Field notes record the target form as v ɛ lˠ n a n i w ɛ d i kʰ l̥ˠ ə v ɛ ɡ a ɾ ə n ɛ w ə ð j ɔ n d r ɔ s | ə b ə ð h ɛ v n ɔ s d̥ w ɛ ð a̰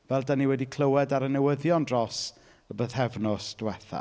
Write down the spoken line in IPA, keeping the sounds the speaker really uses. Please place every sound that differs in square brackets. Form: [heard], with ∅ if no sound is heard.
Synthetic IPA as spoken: v ɛ lˠ [d] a n i w ɛ d i kʰ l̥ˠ ə [w] ɛ [d] a ɾ ə n ɛ w ə ð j ɔ n d r ɔ s | ə b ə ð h ɛ v n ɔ s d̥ w ɛ [θ] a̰